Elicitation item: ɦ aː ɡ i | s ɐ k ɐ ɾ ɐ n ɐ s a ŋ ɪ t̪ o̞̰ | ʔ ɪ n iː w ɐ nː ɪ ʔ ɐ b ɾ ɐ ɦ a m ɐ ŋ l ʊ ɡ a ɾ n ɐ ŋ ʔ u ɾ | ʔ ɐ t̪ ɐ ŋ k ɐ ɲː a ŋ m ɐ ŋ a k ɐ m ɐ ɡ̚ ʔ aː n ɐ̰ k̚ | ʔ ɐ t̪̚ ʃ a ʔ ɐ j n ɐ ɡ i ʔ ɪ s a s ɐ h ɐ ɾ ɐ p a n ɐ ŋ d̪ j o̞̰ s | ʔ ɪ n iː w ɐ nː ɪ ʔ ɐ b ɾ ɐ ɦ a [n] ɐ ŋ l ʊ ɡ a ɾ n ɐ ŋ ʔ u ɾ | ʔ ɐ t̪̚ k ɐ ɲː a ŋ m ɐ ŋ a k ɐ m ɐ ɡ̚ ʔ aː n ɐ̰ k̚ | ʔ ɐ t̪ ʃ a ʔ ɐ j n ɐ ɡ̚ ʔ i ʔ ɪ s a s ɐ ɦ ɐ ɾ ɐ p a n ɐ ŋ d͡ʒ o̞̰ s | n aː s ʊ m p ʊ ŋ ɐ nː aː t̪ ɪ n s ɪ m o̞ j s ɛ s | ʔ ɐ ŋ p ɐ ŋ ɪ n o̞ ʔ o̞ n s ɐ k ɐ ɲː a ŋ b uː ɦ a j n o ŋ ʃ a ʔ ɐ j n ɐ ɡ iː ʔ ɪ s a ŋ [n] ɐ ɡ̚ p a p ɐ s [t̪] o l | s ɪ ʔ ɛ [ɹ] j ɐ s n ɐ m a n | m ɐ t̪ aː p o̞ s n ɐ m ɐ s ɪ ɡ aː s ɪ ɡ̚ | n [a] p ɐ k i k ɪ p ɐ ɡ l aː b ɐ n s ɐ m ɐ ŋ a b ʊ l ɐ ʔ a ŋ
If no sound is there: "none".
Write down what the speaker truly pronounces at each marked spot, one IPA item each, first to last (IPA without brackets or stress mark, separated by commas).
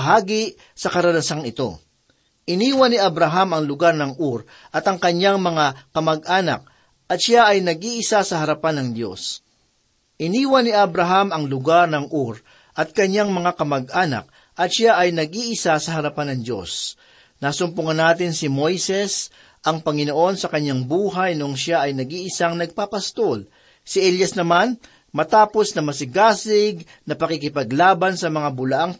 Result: m, n, t̪, l, ɐ